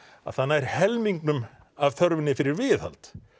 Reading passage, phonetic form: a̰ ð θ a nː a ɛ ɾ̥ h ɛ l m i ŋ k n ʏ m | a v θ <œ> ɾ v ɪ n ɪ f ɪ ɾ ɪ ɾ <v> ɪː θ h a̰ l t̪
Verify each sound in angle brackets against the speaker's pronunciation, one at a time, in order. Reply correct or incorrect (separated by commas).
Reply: correct, correct